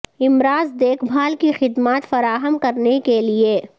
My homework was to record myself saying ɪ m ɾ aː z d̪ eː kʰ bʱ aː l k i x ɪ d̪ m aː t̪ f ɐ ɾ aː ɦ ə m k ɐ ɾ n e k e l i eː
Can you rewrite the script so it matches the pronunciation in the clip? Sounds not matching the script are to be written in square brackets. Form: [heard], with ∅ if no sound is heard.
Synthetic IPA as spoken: ɪ m ɾ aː z d̪ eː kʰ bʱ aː l k i x ɪ d̪ m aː t̪ f ɐ ɾ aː ɦ ə m k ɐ ɾ n e k e l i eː